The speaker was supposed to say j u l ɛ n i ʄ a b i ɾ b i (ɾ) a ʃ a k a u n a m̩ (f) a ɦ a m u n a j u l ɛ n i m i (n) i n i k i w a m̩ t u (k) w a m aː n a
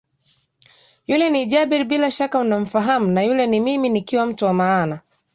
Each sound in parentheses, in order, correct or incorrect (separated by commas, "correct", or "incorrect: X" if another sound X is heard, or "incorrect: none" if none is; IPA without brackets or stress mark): incorrect: l, correct, incorrect: m, incorrect: none